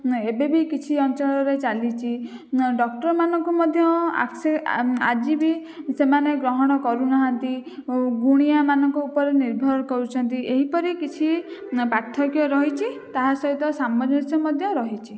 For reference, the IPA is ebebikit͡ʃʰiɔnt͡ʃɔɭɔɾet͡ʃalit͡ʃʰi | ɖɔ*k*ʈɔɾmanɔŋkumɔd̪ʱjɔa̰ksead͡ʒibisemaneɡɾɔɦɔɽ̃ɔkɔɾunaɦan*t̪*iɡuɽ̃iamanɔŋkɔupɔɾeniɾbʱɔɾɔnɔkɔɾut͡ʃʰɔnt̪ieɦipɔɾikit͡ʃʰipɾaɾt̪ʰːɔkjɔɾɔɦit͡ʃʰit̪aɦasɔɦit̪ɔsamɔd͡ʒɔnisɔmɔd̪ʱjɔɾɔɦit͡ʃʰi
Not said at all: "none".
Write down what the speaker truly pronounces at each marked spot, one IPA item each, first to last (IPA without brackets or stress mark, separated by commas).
k, t̪